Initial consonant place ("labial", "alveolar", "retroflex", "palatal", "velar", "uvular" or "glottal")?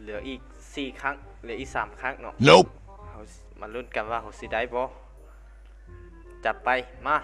alveolar